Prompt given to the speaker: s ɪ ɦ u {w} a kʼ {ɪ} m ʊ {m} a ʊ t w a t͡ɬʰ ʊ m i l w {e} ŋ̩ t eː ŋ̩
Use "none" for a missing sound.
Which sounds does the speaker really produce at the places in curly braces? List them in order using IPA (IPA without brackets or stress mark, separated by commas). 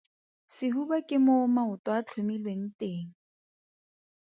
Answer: b, ɪ, m, e